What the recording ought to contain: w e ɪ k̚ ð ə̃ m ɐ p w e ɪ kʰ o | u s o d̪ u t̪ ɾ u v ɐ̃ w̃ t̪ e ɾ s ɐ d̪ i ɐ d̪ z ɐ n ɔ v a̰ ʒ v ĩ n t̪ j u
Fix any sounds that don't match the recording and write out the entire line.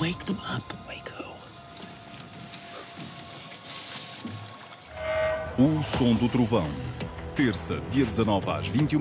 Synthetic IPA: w e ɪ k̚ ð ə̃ m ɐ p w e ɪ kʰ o | u s õ d̪ u t̪ ɾ u v ɐ̃ w̃ t̪ e ɾ s ɐ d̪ i ɐ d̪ z ɐ n ɔ v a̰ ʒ v ĩ n t̪ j u